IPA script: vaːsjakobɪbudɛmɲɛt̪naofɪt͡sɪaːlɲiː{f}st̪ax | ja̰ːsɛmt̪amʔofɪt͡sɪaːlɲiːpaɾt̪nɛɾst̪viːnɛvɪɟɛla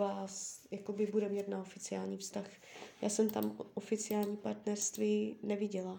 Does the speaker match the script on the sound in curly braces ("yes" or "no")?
yes